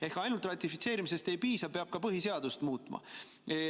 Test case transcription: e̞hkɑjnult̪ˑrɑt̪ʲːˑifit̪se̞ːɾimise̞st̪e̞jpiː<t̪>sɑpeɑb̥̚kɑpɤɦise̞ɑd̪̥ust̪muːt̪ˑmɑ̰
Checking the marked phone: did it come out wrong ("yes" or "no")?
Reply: yes